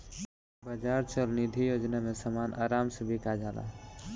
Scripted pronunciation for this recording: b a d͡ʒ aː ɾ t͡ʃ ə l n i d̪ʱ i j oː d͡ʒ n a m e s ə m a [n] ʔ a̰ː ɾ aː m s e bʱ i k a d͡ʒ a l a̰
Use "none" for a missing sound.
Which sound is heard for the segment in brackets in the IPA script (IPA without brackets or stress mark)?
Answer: n